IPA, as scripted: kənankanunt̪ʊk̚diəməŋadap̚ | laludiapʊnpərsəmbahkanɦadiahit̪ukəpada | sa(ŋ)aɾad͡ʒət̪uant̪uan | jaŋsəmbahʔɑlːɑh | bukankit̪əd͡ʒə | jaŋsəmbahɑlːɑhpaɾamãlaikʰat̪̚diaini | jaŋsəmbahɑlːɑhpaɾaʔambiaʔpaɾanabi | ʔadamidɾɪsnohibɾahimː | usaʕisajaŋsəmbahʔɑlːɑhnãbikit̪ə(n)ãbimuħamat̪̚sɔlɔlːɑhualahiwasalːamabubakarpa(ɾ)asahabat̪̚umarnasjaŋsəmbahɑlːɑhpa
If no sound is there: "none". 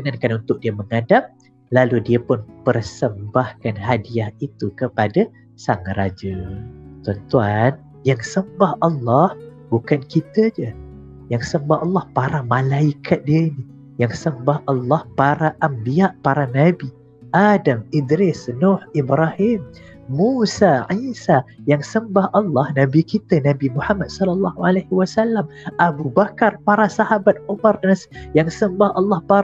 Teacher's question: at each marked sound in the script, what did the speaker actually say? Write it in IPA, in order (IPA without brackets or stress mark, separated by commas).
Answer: ŋ, n, ɾ